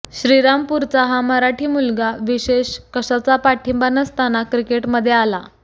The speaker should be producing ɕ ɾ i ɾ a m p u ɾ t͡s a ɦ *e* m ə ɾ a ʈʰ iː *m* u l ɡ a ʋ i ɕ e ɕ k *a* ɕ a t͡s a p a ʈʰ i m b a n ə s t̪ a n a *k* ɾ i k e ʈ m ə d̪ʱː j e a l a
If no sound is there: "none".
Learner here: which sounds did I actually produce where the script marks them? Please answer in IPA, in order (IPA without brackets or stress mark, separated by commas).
a, m, ə, k